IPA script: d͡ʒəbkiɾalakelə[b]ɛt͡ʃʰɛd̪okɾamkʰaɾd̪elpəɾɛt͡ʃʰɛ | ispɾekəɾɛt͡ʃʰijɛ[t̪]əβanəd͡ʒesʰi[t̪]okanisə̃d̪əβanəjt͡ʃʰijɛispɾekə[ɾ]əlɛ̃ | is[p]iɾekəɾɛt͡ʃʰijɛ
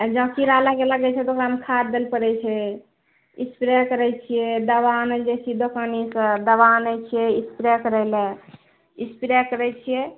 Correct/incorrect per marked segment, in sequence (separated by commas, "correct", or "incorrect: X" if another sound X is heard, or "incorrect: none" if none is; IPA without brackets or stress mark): incorrect: ɡ, incorrect: d̪, incorrect: d̪, correct, correct